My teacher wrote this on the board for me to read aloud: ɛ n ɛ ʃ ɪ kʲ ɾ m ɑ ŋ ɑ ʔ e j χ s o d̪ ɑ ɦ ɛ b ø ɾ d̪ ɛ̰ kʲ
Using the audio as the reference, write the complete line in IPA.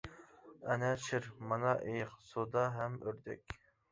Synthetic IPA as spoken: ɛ n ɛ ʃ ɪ ɾ m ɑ n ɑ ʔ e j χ s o d̪ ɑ ɦ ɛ m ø ɾ d̪ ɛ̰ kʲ

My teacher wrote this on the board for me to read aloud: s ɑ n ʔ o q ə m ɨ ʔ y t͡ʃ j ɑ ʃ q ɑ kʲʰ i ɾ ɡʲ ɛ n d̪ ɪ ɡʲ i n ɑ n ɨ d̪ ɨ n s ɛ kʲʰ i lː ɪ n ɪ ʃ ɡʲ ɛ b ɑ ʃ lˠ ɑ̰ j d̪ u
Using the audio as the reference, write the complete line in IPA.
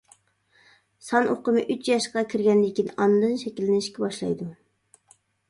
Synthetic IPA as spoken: s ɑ n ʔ o q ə m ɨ ʔ y t͡ʃ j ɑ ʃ q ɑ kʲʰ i ɾ ɡʲ ɛ n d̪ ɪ kʲ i n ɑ n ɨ d̪ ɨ n ʃ ɛ kʲ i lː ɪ n ɪ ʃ kʲ ɛ b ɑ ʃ lˠ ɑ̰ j d̪ u

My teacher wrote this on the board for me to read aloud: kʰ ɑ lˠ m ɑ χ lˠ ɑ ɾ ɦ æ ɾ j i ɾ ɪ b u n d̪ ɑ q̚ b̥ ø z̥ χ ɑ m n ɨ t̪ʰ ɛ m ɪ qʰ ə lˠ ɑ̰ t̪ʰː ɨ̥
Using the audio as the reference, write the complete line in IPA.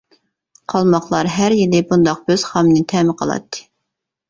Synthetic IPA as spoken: qʰ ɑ lˠ m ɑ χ lˠ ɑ ɾ ɦ æ ɾ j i l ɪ b u n d̪ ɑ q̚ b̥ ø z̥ χ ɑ m n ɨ t̪ʰ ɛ m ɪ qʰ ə lˠ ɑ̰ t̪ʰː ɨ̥

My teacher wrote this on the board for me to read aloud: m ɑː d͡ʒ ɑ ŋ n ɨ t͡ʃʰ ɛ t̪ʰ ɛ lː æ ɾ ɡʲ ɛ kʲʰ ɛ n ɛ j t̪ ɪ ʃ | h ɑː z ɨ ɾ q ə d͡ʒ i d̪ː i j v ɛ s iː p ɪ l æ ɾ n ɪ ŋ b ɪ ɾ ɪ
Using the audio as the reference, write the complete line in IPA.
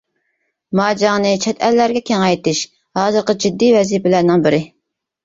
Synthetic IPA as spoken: m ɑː d͡ʒ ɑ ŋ n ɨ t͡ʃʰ ɛ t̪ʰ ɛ lː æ ɾ ɡʲ ɛ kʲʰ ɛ ŋ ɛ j t̪ ɪ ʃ | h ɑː z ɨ ɾ q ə d͡ʒ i d̪ː i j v ɛ z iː p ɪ l æ ɾ n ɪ ŋ b ɪ ɾ ɪ

